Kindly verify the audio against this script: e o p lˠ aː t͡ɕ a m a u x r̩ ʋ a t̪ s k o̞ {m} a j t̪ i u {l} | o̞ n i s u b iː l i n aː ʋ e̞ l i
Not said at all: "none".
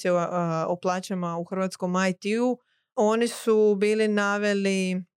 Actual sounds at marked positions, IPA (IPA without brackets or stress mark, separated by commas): m, none